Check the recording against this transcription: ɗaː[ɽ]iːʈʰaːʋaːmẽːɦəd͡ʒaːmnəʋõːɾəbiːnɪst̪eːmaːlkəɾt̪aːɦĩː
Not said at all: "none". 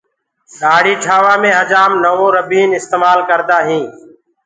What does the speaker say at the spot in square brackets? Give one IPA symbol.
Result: ɽ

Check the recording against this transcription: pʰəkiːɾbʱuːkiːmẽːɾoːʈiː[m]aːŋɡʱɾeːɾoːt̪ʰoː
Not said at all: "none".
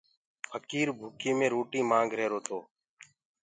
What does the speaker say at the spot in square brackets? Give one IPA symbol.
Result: m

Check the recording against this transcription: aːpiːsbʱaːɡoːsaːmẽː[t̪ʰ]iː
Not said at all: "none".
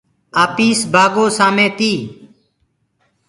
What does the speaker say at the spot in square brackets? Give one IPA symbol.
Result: t̪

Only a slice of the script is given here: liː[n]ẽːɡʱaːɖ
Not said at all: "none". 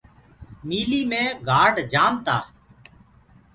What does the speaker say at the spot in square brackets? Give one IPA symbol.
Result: m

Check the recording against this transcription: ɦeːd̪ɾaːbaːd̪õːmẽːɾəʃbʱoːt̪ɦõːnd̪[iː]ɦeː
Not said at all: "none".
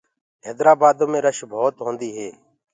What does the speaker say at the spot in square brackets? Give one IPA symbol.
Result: iː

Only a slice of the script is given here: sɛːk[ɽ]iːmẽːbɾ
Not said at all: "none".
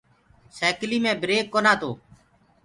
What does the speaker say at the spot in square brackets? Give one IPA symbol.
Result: l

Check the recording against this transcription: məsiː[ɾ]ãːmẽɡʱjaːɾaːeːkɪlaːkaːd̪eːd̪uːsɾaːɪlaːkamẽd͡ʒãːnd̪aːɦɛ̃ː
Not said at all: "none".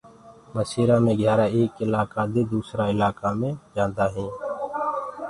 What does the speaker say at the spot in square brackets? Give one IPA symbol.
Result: ɾ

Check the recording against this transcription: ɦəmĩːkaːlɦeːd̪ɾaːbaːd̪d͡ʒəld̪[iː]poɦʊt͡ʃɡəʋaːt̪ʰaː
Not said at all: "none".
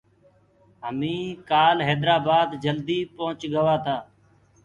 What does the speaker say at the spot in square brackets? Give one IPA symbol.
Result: iː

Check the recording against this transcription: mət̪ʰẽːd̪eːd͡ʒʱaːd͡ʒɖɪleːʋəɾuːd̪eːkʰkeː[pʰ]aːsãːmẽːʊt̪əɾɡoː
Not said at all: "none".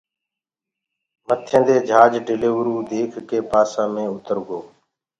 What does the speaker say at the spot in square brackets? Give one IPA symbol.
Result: p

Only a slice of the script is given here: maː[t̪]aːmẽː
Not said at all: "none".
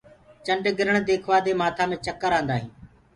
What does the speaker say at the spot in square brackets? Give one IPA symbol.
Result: t̪ʰ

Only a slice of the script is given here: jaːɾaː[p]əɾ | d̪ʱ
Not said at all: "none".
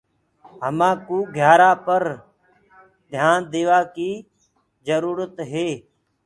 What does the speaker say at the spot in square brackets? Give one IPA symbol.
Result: p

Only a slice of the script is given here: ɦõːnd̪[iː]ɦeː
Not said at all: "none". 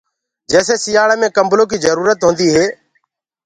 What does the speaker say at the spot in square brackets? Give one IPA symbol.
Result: iː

